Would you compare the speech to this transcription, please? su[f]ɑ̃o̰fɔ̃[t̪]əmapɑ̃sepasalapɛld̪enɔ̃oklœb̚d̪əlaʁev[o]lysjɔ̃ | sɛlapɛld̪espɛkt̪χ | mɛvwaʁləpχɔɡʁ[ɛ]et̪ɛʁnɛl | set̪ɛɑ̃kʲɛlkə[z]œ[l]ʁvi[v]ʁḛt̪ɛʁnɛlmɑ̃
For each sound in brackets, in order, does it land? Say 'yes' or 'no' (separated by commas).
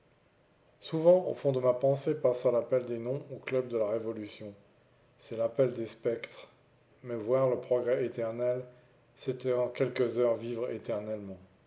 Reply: no, no, no, yes, yes, no, yes